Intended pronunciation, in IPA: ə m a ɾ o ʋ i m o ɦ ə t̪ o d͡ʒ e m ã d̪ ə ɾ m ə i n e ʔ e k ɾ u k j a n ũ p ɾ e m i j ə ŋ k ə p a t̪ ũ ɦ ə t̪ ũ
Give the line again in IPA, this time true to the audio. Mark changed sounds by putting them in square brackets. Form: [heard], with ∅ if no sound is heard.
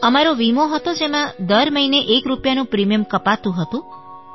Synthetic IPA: ə m a ɾ o ʋ i m o ɦ ə t̪ o d͡ʒ e m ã d̪ ə ɾ m ə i n e ʔ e k ɾ u [p] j a n ũ p ɾ [i] m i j ə [m] k ə p a t̪ ũ ɦ ə t̪ ũ